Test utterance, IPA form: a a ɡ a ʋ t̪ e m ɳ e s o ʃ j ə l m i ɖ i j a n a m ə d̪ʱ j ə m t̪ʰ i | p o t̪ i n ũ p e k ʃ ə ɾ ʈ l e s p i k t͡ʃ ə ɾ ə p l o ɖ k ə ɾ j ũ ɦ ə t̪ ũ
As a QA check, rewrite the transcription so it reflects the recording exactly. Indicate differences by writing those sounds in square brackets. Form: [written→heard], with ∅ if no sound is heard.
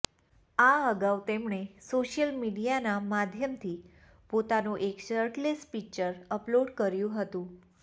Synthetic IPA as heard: a [a→ə] ɡ a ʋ t̪ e m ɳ e s o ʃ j ə l m i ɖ i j a n a m [ə→a] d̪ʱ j ə m t̪ʰ i | p o t̪ [i→a] n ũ [p→ʔ] e k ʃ ə ɾ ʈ l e s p i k t͡ʃ ə ɾ ə p l o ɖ k ə ɾ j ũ ɦ ə t̪ ũ